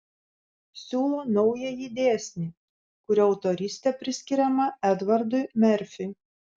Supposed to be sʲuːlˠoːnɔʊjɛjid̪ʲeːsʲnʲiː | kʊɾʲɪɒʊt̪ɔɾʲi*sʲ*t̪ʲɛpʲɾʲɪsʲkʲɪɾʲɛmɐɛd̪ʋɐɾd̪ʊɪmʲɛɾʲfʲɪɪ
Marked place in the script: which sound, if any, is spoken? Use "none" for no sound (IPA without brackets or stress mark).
sʲ